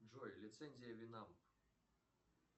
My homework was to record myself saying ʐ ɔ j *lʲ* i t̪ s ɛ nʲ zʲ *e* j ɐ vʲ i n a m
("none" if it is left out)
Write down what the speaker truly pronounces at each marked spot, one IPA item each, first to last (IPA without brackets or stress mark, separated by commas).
lʲ, i